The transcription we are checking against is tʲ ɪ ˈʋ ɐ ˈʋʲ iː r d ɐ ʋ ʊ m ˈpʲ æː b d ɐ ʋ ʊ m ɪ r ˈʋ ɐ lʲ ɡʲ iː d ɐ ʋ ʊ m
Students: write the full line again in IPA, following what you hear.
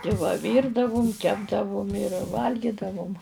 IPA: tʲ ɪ ˈʋ ɐ ˈʋʲ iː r d ɐ ʋ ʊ m ˈkʲ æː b d ɐ ʋ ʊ m ɪ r ˈʋ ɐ lʲ ɡʲ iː d ɐ ʋ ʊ m